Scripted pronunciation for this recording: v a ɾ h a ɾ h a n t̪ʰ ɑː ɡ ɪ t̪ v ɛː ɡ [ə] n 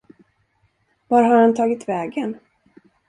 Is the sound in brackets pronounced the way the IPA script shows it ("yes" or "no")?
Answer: yes